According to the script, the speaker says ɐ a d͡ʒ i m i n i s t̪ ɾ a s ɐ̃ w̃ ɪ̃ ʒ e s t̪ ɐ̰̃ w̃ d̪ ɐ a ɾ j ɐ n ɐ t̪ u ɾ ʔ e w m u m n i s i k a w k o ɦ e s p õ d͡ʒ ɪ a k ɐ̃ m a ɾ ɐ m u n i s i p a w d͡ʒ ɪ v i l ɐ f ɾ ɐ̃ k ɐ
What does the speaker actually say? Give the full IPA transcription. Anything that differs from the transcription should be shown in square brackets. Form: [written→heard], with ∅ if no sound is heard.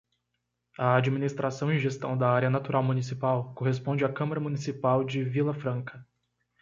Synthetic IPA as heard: ɐ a d͡ʒ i m i n i s t̪ ɾ a s ɐ̃ w̃ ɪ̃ ʒ e s t̪ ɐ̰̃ w̃ d̪ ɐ a ɾ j ɐ n [ɐ→a] t̪ u ɾ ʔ [e→a] w m u [m→∅] n i s i [k→p] a w k o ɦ e s p õ d͡ʒ ɪ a k ɐ̃ m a ɾ ɐ m u n i s i p a w d͡ʒ ɪ v i l ɐ f ɾ ɐ̃ k ɐ

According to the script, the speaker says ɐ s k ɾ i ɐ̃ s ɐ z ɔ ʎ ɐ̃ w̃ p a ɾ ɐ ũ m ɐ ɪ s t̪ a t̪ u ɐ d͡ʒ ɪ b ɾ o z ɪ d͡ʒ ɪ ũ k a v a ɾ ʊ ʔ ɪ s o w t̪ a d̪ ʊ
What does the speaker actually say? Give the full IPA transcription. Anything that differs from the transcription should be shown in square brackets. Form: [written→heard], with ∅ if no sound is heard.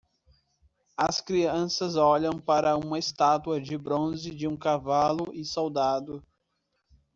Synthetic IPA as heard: ɐ s k ɾ i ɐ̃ s ɐ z ɔ ʎ ɐ̃ w̃ p a ɾ ɐ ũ m ɐ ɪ s t̪ a t̪ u ɐ d͡ʒ ɪ b ɾ [o→õ] z ɪ d͡ʒ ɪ ũ k a v a [ɾ→l] ʊ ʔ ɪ s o w [t̪→d̪] a d̪ ʊ

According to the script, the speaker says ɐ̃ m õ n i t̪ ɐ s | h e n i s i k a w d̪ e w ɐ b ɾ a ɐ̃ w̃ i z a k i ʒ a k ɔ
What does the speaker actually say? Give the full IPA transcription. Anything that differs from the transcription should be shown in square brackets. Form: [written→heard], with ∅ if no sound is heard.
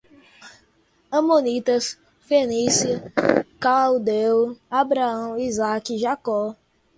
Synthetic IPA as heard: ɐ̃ m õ n i t̪ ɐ s | [h→f] e n i s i k a w d̪ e w [ɐ→a] b ɾ a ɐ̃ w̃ i z a k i ʒ a k ɔ

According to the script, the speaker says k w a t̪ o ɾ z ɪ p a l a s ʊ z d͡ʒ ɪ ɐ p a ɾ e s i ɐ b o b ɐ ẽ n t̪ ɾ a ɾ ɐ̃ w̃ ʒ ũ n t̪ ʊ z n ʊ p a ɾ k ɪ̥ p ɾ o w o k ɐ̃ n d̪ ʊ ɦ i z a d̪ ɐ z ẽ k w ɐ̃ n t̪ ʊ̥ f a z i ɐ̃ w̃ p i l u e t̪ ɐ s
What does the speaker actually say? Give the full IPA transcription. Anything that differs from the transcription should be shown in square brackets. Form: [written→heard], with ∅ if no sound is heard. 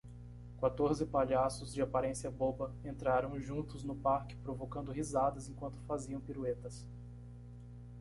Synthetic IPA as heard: k w a t̪ o ɾ z ɪ p a [l→ʎ] a s ʊ z d͡ʒ ɪ [ɐ→a] p a ɾ [e→ẽ] s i ɐ b o b ɐ ẽ n t̪ ɾ a ɾ ɐ̃ w̃ ʒ ũ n t̪ ʊ z n ʊ p a ɾ k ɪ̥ p ɾ o [w→v] o k ɐ̃ n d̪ ʊ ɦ i z a d̪ ɐ z ẽ k w ɐ̃ n t̪ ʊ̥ f a z i ɐ̃ w̃ p i [l→ɾ] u e t̪ ɐ s

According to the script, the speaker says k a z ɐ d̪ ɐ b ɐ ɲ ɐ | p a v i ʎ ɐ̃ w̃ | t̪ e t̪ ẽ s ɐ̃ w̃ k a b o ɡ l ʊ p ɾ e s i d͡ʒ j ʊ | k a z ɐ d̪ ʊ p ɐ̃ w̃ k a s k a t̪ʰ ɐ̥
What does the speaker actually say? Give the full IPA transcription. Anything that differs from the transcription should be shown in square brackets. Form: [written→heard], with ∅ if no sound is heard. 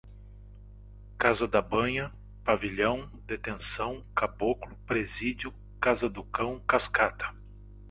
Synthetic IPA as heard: k a z ɐ d̪ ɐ b [ɐ→ɐ̃] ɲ ɐ | p a v i ʎ ɐ̃ w̃ | [t̪→d̪] e t̪ ẽ s ɐ̃ w̃ k a b o [ɡ→k] l ʊ p ɾ e [s→z] i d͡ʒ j ʊ | k a z ɐ d̪ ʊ [p→k] ɐ̃ w̃ k a s k a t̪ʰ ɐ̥

